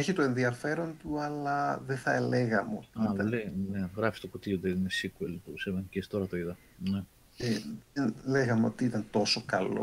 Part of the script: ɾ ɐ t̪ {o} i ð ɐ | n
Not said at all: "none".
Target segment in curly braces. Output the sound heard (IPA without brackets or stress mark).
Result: o